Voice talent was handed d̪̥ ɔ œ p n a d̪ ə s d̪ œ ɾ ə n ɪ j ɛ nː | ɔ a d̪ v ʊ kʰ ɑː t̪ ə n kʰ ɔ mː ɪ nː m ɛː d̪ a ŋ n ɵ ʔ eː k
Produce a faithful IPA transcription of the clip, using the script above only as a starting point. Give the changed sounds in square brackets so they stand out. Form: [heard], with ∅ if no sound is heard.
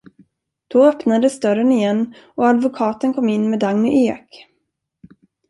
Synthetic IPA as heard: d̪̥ ɔ œ p n a d̪ ə s d̪ œ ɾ ə n ɪ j ɛ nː | ɔ a d̪ v ʊ kʰ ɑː t̪ ə n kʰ ɔ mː ɪ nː m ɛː d̪ a ŋ n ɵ ʔ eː k

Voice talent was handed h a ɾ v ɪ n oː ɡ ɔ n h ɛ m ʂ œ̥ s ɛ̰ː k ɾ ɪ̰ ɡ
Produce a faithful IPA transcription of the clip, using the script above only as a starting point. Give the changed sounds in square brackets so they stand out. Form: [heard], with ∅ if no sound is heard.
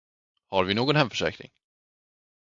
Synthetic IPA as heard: h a ɾ v ɪ n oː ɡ ɔ n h ɛ m [f] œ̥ [ʂ] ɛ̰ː k ɾ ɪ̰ [ŋ]

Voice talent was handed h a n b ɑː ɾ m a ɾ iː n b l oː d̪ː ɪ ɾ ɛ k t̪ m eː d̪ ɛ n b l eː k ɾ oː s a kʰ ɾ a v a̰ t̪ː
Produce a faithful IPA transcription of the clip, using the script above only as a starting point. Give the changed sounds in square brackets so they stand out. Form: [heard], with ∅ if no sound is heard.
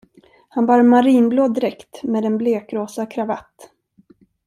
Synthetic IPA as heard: h a n b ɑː ɾ m a ɾ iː n b l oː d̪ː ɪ ɾ ɛ k t̪ m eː d̪ ɛ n b l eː k ɾ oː s a kʰ ɾ a v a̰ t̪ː

